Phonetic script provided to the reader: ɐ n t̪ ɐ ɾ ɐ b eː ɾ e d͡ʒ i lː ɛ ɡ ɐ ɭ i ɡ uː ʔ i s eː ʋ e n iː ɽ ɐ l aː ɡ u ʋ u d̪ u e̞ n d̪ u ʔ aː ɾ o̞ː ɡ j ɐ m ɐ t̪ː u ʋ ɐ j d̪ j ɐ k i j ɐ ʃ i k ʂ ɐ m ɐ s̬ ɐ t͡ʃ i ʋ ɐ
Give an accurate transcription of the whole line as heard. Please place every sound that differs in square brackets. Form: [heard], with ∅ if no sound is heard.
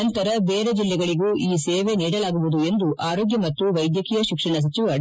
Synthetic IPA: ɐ n t̪ ɐ ɾ ɐ b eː ɾ e d͡ʒ i lː ɛ ɡ ɐ ɭ i ɡ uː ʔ [iː] s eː ʋ e n iː ɽ ɐ l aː ɡ u ʋ u d̪ u e̞ n d̪ u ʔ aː ɾ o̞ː ɡ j ɐ m ɐ t̪ː u ʋ ɐ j d̪ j ɐ k i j ɐ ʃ i k ʂ ɐ [ɳ] ɐ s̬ ɐ t͡ʃ i ʋ ɐ